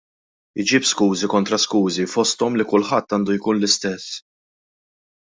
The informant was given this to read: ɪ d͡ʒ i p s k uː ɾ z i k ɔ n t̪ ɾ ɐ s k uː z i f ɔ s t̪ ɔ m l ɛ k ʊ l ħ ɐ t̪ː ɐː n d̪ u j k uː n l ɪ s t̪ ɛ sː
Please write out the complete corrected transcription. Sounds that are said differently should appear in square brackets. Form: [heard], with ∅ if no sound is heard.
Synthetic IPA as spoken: ɪ d͡ʒ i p s k uː [∅] z i k ɔ n t̪ ɾ ɐ s k uː z i f ɔ s t̪ ɔ m l [i] k ʊ l ħ ɐ t̪ː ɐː n d̪ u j k uː n l ɪ s t̪ ɛ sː